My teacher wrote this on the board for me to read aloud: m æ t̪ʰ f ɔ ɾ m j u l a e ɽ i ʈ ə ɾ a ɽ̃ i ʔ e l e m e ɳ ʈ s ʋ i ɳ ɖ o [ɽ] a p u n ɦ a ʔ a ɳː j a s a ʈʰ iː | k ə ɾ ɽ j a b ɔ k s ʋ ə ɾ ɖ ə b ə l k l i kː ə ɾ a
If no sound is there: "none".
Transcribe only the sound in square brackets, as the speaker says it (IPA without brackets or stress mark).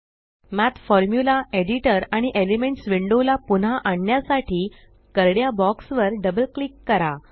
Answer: l